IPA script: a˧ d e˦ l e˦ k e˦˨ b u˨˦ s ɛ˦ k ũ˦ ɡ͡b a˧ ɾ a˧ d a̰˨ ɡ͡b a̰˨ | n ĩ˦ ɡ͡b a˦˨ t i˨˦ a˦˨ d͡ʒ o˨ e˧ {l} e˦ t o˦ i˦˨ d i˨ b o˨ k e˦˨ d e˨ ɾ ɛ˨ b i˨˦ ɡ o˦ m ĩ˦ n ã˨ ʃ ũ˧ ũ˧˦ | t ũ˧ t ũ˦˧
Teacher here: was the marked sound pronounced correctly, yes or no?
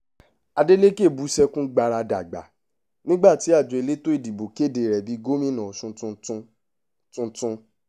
yes